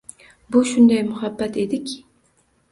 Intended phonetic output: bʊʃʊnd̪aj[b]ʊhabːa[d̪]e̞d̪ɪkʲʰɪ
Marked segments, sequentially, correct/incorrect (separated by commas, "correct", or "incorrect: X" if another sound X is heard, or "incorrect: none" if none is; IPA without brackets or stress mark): incorrect: m, incorrect: t̪